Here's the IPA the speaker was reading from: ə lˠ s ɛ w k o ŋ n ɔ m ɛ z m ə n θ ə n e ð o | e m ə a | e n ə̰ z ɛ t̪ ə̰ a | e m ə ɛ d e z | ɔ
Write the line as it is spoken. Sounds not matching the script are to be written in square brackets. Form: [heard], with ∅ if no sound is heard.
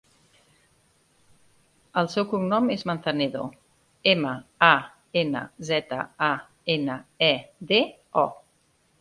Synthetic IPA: ə lˠ s ɛ w k [u] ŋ n ɔ m [e] z m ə n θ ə n e ð o | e m ə a | e n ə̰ z ɛ t̪ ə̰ a | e [n] ə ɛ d e [∅] | ɔ

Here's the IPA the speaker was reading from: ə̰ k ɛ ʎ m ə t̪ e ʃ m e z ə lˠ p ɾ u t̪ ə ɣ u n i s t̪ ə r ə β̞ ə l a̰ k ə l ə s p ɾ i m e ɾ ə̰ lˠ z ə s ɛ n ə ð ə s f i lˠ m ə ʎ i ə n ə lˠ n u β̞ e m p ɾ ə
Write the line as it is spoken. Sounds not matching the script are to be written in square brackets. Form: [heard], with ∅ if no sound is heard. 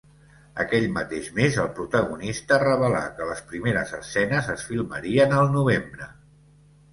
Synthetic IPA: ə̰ k ɛ ʎ m ə t̪ e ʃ m e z ə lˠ p ɾ u t̪ ə ɣ u n i s t̪ ə r ə β̞ ə l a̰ k ə l ə s p ɾ i m e ɾ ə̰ [∅] z ə s ɛ n ə [z] ə s f i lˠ m ə [ɾ] i ə n ə lˠ n u β̞ e m [b] ɾ ə

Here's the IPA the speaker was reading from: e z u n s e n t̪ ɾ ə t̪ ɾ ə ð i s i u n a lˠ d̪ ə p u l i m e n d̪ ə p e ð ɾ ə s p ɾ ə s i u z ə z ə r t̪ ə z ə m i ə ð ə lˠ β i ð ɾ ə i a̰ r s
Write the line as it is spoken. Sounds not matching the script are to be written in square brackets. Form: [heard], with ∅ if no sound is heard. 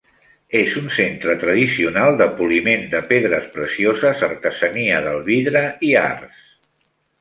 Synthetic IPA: e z u n s e n t̪ ɾ ə t̪ ɾ ə ð i s i u n a lˠ d̪ ə p u l i m e n d̪ ə p e ð ɾ ə s p ɾ ə s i [o] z ə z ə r t̪ ə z ə [n] i ə ð ə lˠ β i ð ɾ ə i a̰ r s

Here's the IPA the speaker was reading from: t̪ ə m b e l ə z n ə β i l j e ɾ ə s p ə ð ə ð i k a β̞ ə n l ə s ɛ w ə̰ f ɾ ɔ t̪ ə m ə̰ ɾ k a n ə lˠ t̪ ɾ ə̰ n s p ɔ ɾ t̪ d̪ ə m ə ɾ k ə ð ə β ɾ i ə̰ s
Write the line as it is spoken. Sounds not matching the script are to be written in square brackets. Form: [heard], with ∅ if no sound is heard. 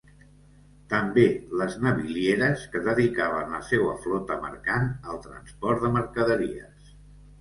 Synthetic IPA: t̪ ə m b e l ə z n ə β i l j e ɾ ə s [k] ə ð ə ð i k a β̞ ə n l ə s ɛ w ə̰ f [l] ɔ t̪ ə m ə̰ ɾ k a n ə lˠ t̪ ɾ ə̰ n s p ɔ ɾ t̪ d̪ ə m ə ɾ k ə ð ə [∅] ɾ i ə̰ s

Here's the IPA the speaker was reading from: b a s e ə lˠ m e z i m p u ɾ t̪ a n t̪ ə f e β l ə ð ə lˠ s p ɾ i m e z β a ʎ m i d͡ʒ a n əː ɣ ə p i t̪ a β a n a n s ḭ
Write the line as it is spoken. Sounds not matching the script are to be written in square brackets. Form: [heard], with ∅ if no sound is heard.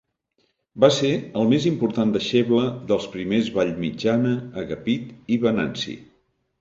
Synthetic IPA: b a s e ə lˠ m e z i m p u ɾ t̪ a n [d̪] ə [ʃ] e β l ə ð ə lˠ s p ɾ i m e z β a ʎ m i d͡ʒ a n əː ɣ ə p i t̪ [i] β [ə] n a n s ḭ

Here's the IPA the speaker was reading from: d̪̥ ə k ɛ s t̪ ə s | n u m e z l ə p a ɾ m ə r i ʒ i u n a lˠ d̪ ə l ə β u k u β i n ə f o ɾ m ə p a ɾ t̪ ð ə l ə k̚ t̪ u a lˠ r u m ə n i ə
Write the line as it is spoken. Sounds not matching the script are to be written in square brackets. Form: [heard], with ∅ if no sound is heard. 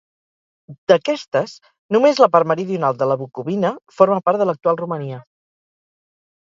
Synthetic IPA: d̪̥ ə k ɛ s t̪ ə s | n u m e z l ə p a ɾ m ə [ɾ] i [ð] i u n a lˠ d̪ ə l ə β u k u β i n ə f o ɾ m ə p a ɾ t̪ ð ə l ə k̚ t̪ u a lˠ r u m ə n i ə

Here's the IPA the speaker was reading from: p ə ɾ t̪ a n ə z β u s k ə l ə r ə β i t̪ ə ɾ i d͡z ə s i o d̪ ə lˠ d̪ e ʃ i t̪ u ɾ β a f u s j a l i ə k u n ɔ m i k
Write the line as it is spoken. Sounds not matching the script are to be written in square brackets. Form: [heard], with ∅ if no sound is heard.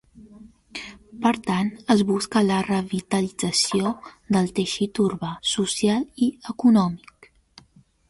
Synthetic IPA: p ə ɾ t̪ a n ə z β u s k ə l ə r ə β i t̪ ə [l] i d͡z ə s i o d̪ ə lˠ [t̪] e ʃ i t̪ u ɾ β a [s] u s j a l i ə k u n ɔ m i k

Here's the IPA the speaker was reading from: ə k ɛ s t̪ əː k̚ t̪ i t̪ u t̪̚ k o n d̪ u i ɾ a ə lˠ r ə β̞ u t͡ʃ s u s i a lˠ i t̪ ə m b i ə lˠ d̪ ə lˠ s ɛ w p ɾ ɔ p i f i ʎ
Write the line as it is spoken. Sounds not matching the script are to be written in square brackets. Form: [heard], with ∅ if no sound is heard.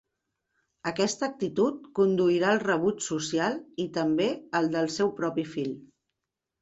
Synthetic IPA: ə k ɛ s t̪ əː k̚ t̪ i t̪ u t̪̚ k [u] n d̪ u i ɾ a ə lˠ r ə β̞ u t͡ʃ s u s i a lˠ i t̪ ə m b [e] ə lˠ d̪ ə lˠ s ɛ w p ɾ ɔ p i f i ʎ

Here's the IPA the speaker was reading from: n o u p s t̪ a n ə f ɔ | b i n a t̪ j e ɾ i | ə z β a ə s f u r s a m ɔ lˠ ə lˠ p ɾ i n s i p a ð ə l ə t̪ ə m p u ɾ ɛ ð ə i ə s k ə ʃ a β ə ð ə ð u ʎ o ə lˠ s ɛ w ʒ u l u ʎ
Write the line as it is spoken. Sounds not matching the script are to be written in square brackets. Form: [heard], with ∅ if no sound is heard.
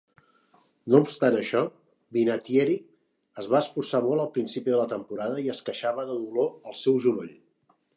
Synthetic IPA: n o u p s t̪ a n ə [ʃ] ɔ | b i n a t̪ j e ɾ i | ə z β a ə s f u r s a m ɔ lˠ ə lˠ p ɾ i n s i p [i] ð ə l ə t̪ ə m p u ɾ [a] ð ə i ə s k ə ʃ a β ə ð ə ð u [l] o ə lˠ s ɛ w ʒ u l [o] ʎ

